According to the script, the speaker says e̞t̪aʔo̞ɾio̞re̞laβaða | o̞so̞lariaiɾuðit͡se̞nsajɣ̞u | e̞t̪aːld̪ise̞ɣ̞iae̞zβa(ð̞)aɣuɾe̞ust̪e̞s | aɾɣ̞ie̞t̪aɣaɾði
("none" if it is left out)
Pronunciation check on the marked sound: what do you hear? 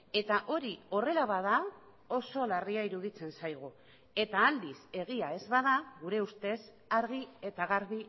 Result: ð̞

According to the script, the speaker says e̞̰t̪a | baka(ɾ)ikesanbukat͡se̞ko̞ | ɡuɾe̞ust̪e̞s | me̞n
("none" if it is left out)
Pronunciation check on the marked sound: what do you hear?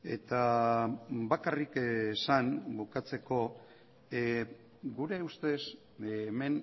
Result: r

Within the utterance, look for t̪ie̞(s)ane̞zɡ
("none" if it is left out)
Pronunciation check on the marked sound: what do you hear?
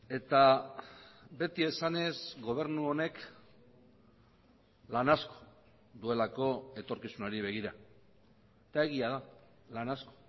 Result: s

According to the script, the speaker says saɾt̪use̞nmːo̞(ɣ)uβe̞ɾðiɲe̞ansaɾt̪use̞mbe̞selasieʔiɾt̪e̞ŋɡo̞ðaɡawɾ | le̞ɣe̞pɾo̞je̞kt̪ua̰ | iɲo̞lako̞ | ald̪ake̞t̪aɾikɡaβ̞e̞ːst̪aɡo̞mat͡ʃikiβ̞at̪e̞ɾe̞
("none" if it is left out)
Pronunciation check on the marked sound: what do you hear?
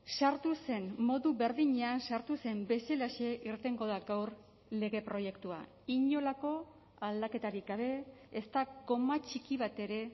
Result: ð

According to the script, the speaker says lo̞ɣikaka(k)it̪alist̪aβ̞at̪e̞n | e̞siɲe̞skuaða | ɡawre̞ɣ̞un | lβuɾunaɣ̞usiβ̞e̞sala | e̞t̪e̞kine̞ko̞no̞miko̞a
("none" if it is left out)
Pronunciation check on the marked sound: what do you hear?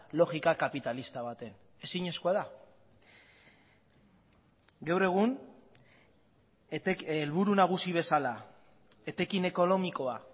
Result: p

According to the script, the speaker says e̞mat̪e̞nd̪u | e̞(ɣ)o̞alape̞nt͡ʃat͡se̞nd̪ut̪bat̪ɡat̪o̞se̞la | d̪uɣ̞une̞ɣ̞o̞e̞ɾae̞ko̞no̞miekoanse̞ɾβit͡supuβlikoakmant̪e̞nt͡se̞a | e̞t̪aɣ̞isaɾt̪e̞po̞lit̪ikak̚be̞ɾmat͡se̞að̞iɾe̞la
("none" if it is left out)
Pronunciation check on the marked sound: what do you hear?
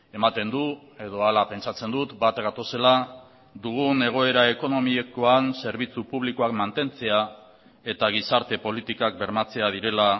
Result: ð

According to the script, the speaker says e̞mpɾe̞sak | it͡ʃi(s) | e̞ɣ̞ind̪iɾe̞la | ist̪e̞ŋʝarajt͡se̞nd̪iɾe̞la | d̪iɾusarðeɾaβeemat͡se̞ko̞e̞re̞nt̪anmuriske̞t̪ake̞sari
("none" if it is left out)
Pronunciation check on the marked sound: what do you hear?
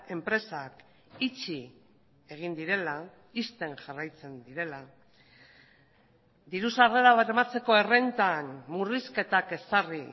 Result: none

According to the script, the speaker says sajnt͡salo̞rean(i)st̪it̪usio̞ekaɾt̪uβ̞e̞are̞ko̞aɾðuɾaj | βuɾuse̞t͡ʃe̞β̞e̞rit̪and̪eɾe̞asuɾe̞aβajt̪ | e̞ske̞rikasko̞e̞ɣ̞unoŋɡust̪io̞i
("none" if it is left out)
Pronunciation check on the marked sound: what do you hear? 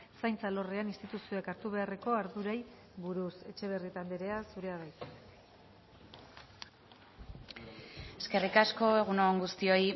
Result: i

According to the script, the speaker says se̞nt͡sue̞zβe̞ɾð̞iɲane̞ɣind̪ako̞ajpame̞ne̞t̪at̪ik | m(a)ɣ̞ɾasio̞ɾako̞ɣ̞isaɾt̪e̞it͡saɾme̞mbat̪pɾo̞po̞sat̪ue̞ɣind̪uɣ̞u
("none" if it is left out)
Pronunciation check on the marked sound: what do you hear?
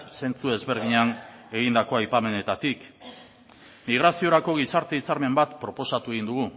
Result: i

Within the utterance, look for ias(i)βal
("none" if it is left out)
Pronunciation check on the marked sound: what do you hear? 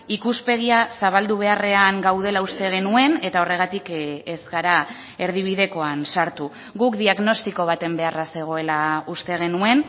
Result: a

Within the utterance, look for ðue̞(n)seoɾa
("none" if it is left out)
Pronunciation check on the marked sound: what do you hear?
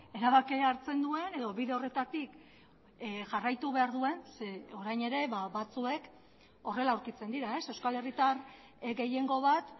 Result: n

